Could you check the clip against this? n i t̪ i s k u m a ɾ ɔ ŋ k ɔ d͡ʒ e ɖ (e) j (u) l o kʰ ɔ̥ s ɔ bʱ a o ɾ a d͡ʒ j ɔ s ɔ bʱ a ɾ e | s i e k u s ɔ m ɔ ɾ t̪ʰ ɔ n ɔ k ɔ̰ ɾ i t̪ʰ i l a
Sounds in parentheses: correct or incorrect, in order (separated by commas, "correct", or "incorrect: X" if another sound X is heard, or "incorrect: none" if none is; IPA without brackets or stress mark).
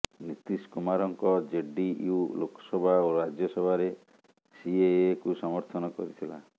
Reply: incorrect: i, correct